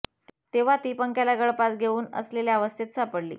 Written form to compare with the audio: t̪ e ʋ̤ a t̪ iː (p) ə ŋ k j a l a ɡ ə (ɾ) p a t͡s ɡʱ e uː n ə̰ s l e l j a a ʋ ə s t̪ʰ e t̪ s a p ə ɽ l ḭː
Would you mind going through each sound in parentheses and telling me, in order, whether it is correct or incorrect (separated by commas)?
correct, incorrect